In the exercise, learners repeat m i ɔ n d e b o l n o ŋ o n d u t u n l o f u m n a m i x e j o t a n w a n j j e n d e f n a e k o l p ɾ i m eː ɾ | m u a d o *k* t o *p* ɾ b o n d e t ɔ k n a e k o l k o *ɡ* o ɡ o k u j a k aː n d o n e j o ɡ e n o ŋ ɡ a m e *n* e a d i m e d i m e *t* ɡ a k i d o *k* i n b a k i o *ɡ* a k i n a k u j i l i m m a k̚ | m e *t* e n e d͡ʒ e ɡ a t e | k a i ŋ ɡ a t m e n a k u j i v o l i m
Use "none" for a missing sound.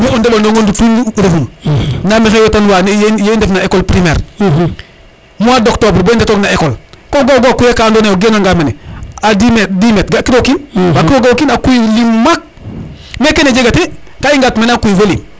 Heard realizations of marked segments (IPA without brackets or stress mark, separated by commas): k, b, ɡ, n, t, k, ɡ, k